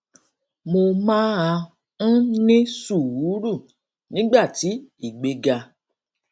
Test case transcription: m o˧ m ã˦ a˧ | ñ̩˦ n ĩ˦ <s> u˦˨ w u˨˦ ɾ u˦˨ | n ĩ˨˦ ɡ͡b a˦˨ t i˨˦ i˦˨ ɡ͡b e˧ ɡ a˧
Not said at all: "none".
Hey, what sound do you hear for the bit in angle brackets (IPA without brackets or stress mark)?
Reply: s